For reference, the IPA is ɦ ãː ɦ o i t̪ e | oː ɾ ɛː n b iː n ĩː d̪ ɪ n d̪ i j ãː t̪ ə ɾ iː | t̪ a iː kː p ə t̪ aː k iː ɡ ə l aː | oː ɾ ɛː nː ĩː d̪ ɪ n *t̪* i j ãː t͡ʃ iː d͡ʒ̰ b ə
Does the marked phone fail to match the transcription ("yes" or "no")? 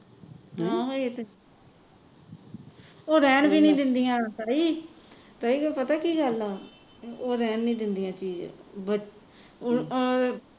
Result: yes